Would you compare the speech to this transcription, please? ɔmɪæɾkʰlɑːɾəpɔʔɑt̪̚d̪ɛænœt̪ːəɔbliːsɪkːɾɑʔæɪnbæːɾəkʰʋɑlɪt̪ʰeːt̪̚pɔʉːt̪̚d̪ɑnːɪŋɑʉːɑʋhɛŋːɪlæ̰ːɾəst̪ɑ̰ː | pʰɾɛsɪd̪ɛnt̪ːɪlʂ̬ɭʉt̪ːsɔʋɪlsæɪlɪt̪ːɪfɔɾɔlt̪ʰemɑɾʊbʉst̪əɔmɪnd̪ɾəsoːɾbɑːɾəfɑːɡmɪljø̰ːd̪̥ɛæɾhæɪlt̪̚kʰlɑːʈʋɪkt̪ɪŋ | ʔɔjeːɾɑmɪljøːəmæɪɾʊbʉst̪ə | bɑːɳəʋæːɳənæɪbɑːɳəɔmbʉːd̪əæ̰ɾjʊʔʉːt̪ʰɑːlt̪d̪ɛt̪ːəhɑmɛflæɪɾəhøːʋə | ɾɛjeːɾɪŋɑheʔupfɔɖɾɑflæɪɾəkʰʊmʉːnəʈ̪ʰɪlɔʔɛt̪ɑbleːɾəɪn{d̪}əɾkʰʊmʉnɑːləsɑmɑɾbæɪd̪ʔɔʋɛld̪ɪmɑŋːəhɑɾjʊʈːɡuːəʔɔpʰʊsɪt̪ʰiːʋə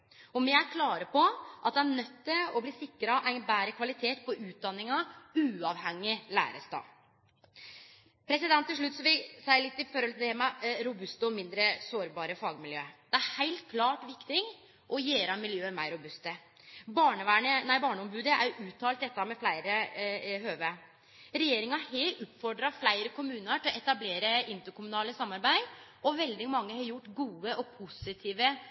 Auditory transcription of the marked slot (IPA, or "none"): t̪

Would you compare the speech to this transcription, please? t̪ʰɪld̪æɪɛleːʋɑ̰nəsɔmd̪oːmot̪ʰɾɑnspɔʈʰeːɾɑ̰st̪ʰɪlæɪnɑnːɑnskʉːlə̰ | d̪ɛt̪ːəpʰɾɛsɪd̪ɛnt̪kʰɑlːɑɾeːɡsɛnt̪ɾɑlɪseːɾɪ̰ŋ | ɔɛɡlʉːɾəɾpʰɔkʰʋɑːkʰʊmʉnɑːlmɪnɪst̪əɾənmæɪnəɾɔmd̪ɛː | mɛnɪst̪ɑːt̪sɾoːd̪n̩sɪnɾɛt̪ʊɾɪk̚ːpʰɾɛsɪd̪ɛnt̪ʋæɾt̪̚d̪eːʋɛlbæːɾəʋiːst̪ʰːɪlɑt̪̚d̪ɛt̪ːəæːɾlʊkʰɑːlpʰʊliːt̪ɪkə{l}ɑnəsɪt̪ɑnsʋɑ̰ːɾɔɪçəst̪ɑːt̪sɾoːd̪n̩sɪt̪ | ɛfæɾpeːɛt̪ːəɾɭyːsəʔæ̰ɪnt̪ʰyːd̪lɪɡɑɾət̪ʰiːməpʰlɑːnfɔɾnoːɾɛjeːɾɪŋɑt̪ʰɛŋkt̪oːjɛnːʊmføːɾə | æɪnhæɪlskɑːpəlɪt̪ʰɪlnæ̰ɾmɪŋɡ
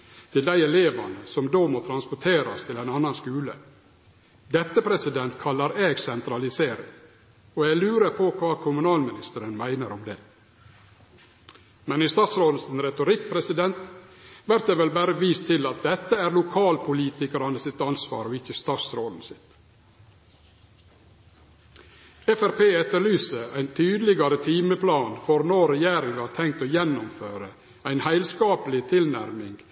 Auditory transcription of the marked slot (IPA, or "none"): ɾ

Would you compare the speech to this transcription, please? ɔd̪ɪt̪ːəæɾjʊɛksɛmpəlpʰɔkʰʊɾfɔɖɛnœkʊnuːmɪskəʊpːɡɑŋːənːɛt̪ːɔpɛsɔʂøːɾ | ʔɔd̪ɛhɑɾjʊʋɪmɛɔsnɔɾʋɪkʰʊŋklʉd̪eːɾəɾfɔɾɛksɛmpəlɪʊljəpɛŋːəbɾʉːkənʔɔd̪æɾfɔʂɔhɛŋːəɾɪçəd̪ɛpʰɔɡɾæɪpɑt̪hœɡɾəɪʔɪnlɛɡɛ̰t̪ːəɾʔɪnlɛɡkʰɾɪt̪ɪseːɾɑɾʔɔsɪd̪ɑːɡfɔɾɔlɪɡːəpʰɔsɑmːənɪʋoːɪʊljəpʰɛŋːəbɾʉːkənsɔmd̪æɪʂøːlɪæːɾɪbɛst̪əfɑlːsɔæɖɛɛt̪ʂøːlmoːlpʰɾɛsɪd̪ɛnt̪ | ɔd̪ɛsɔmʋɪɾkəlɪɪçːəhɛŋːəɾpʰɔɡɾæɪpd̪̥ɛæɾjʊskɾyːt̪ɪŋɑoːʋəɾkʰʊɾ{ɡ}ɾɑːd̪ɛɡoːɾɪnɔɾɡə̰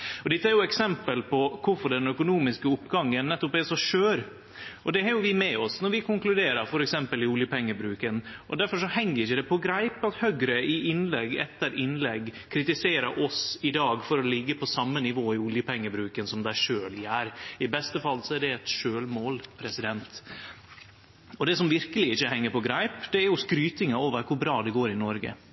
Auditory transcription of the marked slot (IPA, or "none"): b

